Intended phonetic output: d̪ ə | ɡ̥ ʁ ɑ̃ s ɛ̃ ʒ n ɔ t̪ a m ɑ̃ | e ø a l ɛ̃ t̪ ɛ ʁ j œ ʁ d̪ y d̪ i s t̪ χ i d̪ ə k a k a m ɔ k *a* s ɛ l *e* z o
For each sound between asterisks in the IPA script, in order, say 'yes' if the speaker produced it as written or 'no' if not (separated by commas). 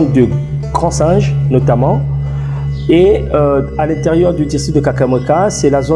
yes, no